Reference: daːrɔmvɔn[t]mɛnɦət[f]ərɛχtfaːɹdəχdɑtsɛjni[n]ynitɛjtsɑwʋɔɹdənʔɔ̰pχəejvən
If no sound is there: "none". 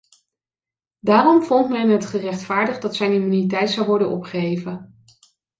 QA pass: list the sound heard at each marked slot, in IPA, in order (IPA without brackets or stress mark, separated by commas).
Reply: t, χ, m